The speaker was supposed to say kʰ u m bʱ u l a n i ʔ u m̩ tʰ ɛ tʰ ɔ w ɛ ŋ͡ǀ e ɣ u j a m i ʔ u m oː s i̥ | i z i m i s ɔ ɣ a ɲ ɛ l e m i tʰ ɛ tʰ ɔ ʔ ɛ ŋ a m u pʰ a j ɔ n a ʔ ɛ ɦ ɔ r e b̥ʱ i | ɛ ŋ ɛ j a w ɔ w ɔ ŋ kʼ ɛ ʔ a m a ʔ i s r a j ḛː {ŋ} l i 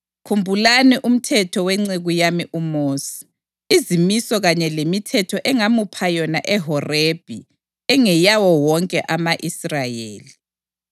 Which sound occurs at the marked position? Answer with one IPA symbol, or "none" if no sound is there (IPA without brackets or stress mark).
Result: none